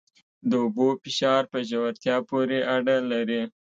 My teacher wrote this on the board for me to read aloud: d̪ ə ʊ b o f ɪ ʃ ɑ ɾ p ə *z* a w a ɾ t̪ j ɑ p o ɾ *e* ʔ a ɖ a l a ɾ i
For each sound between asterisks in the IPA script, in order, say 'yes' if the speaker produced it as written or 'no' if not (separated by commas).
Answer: no, yes